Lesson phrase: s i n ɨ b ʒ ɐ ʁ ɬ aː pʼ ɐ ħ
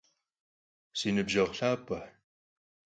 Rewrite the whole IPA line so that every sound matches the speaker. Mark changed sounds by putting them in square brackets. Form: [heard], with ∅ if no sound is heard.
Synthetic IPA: s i n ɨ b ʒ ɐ ʁ ɬ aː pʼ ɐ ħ